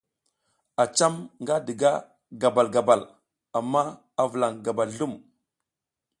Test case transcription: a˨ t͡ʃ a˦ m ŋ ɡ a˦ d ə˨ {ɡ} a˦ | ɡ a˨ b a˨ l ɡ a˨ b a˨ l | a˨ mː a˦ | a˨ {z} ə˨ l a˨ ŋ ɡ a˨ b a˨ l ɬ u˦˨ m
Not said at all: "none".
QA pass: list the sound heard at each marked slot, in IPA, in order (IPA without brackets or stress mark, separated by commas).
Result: ɡ, v